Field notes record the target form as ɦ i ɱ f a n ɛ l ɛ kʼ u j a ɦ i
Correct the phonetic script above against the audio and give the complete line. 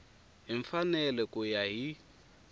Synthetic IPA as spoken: ɦ i ɱ f a n ɛ l ɛ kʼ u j a ɦ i